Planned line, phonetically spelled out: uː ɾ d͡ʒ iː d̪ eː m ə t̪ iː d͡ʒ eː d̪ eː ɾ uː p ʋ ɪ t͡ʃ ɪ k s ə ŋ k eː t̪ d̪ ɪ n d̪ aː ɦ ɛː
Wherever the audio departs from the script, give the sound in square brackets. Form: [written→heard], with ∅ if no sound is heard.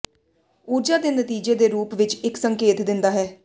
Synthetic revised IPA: uː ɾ d͡ʒ [iː→aː] d̪ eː [m→n] ə t̪ iː d͡ʒ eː d̪ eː ɾ uː p ʋ ɪ t͡ʃ ɪ k s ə ŋ k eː t̪ d̪ ɪ n d̪ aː ɦ ɛː